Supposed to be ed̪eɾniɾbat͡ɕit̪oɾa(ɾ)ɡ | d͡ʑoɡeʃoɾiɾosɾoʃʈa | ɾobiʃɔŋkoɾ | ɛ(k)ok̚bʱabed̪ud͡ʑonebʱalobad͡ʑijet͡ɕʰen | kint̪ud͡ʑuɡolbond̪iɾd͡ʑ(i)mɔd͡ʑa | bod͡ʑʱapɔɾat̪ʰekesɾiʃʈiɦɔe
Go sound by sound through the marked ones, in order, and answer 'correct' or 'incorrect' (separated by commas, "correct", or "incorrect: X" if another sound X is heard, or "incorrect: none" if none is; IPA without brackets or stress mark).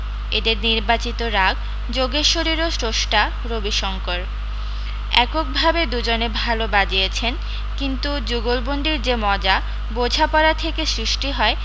incorrect: none, correct, incorrect: e